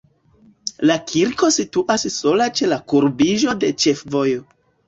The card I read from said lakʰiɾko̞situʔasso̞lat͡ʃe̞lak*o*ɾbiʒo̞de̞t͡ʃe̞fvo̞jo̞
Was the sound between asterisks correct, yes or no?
no